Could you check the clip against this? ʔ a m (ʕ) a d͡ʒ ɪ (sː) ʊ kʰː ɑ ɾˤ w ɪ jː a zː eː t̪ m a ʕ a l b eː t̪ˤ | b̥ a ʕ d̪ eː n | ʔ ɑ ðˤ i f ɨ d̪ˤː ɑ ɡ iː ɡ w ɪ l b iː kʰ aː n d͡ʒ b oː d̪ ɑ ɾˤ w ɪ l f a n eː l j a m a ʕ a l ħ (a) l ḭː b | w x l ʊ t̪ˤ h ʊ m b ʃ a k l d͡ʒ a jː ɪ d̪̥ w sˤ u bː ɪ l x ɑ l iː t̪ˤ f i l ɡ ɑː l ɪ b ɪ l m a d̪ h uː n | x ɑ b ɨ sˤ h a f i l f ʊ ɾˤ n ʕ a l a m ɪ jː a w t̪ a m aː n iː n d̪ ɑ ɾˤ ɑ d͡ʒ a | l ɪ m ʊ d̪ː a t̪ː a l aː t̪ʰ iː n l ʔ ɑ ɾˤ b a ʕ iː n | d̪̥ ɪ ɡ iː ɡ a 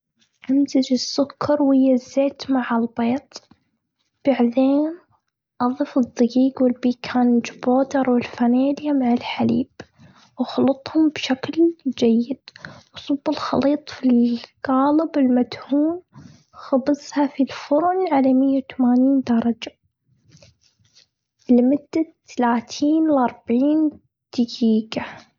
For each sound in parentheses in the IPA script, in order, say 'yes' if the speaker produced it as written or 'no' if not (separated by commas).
no, yes, yes